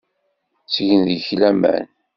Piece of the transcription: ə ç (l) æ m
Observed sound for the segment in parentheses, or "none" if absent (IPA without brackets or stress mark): l